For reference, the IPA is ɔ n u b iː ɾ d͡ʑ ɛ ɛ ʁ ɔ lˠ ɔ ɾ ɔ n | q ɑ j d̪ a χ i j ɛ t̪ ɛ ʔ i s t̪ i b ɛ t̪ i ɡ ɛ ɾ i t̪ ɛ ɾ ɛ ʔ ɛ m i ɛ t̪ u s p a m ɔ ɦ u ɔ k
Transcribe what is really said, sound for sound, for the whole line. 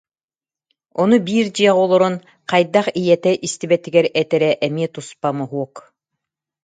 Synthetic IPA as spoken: ɔ n u b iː ɾ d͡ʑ i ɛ ʁ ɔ lˠ ɔ ɾ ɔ n | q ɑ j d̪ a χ i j ɛ t̪ ɛ ʔ i s t̪ i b ɛ t̪ i ɡ ɛ ɾ ɛ t̪ ɛ ɾ ɛ ʔ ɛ m i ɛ t̪ u s p a m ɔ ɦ u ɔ k